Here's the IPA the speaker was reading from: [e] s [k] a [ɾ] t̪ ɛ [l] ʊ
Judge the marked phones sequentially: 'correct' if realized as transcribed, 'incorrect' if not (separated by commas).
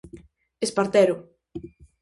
correct, incorrect, correct, incorrect